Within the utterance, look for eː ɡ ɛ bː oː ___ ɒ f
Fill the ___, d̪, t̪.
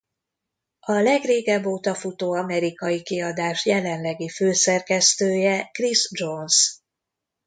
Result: t̪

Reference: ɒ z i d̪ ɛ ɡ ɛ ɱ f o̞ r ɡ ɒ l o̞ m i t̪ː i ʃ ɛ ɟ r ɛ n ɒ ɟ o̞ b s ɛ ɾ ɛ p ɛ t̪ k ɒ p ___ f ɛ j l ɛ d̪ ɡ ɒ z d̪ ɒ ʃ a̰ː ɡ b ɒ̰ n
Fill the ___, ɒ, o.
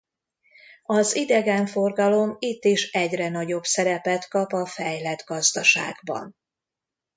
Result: ɒ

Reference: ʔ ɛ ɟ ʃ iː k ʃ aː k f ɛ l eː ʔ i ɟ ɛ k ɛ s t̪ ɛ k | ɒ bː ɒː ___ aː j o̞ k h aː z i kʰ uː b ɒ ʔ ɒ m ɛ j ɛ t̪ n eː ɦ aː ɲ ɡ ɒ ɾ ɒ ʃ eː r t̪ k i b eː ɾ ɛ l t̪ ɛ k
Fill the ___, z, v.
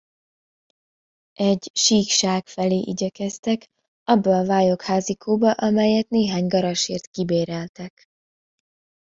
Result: v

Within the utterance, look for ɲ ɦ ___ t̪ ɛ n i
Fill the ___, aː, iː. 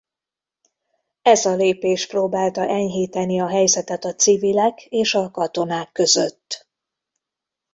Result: iː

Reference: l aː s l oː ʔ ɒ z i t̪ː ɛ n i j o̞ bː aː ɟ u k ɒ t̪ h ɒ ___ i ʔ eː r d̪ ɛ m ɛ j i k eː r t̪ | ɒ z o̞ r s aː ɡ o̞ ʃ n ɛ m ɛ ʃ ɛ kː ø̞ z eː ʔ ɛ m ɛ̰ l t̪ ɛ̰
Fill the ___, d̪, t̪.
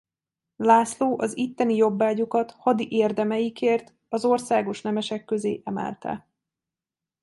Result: d̪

